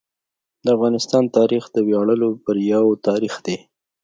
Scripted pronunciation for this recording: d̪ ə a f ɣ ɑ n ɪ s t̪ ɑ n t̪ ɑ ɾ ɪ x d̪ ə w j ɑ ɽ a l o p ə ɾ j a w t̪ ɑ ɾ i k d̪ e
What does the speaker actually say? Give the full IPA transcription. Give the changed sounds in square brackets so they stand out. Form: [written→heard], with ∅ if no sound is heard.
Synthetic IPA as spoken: d̪ ə a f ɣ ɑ n ɪ s t̪ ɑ n t̪ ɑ ɾ [ɪ→i] x d̪ ə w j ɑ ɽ [a→ə] l o p ə ɾ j a w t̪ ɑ ɾ i [k→x] d̪ e